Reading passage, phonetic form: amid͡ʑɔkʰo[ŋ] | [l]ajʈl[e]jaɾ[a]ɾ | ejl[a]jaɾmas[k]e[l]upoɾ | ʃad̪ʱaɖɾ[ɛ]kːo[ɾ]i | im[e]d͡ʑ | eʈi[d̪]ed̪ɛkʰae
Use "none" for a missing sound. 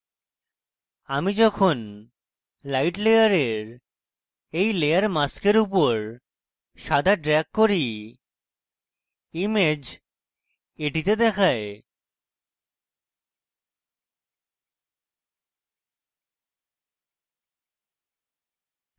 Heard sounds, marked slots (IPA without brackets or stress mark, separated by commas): n, l, e, e, e, k, ɾ, ɛ, ɾ, e, t̪